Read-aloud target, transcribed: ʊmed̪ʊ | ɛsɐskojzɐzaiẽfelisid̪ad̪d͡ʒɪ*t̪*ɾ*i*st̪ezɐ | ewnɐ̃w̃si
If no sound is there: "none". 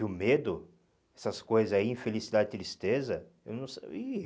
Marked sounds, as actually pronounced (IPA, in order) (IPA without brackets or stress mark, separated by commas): t̪, i